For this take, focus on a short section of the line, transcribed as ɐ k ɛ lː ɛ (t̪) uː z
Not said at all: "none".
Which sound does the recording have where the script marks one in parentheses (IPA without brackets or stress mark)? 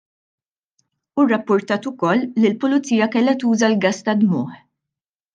t̪